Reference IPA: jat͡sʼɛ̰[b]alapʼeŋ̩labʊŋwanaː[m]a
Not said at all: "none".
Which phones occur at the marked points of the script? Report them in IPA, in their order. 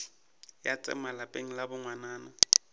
m, n

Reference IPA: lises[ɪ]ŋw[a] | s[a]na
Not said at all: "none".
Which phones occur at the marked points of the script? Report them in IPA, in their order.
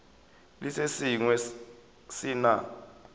i, ɛ, i

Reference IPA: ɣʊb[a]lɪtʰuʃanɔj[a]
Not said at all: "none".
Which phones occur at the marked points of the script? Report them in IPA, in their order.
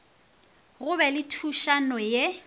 ɛ, e

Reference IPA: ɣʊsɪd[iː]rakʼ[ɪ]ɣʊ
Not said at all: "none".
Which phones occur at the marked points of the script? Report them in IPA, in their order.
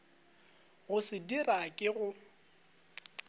i, ɪ

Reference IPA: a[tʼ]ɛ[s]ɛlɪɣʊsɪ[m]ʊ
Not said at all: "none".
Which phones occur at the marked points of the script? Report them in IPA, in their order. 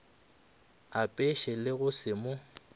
pʼ, ʃ, m

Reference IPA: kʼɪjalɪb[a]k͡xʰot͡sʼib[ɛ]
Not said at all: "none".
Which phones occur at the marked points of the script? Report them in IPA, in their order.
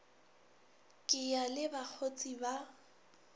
a, a

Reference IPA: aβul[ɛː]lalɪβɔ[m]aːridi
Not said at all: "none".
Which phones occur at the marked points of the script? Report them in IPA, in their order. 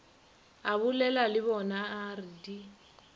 ɛ, n

